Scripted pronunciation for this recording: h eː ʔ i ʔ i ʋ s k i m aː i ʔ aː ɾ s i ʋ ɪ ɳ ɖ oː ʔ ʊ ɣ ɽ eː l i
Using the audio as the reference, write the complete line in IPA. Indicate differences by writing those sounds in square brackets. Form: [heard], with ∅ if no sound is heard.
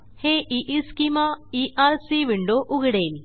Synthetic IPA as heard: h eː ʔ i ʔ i [∅] s k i m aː i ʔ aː ɾ s i ʋ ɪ ɳ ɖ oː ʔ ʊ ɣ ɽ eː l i